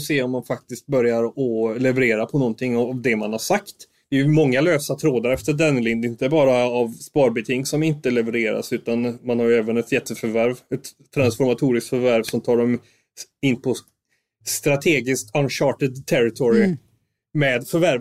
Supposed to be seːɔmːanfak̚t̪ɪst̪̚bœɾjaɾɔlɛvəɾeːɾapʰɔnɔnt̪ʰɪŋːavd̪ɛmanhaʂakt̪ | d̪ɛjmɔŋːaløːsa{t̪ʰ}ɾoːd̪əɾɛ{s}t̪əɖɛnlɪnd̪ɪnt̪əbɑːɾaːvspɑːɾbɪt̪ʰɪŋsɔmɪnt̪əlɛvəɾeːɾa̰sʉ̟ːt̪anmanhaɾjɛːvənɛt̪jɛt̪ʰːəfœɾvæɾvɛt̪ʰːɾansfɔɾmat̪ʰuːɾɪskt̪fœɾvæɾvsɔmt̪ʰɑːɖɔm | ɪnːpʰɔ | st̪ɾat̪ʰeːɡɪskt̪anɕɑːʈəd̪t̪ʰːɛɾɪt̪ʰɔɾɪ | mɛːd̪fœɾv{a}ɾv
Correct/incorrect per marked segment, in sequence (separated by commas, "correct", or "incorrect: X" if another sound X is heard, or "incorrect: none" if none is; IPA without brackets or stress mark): correct, incorrect: f, incorrect: æ